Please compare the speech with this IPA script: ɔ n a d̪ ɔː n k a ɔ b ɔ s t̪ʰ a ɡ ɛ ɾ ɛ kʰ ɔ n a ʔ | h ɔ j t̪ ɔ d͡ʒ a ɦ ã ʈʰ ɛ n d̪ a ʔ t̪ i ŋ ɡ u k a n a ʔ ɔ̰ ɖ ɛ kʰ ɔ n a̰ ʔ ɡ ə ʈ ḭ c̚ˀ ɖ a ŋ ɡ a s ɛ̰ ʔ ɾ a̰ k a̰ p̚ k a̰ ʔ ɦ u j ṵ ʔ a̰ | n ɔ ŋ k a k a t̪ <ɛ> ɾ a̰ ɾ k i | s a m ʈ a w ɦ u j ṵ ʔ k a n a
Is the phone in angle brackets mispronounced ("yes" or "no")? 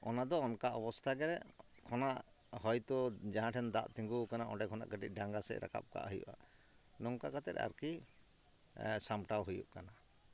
no